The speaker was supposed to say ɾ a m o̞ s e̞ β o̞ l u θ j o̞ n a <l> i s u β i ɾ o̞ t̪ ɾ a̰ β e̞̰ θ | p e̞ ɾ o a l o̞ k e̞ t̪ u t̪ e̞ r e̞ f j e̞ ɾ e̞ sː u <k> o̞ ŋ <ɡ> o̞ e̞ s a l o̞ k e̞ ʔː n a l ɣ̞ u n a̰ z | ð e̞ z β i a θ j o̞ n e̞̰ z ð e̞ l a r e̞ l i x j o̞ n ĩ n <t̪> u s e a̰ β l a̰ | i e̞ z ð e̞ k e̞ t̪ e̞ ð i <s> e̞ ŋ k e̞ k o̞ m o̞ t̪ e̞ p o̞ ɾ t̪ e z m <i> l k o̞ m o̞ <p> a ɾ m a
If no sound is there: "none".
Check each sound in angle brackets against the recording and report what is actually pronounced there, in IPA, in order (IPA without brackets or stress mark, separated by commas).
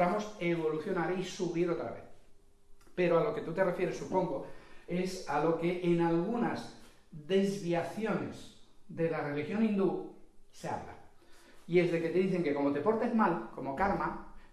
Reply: ɾ, p, ɡ, d̪, θ, a, k